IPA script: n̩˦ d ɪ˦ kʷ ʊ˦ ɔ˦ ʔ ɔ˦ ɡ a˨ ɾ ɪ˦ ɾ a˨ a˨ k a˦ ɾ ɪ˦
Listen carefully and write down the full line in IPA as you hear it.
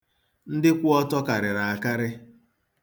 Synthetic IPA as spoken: n̩˦ d ɪ˦ kʷ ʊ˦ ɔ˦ t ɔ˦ k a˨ ɾ ɪ˨ ɾ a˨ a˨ k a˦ ɾ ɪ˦